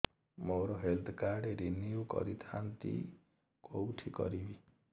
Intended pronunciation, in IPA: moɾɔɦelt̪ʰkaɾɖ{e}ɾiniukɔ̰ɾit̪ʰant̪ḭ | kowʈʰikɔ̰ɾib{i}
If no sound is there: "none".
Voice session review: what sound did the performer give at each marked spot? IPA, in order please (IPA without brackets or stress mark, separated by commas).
e, i